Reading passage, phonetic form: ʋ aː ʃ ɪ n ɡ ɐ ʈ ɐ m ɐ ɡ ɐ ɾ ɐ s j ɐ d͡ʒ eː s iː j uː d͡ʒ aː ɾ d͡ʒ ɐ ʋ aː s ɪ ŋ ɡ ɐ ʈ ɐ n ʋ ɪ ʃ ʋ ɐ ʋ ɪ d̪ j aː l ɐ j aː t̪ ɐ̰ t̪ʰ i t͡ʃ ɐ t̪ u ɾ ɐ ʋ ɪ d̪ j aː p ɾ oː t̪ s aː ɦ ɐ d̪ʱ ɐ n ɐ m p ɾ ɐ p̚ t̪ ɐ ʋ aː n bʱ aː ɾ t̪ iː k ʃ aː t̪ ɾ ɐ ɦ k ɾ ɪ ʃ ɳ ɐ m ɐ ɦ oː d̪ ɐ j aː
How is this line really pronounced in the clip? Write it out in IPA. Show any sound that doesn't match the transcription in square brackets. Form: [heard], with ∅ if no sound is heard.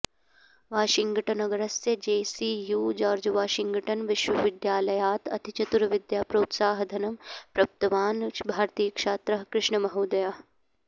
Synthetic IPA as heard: ʋ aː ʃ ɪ [ŋ] ɡ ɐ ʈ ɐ [n] ɐ ɡ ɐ ɾ ɐ s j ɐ d͡ʒ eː s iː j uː d͡ʒ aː ɾ d͡ʒ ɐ ʋ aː [ʃ] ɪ ŋ ɡ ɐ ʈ ɐ n ʋ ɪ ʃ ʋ ɐ ʋ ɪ d̪ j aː l ɐ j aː t̪ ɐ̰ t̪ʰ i t͡ʃ ɐ t̪ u ɾ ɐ ʋ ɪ d̪ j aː p ɾ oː t̪ s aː ɦ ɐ d̪ʱ ɐ n ɐ m p ɾ ɐ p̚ t̪ ɐ ʋ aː n bʱ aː ɾ t̪ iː k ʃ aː t̪ ɾ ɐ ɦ k ɾ ɪ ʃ ɳ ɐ m ɐ ɦ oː d̪ ɐ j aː